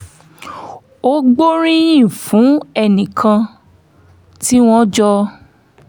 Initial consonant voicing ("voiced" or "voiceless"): voiced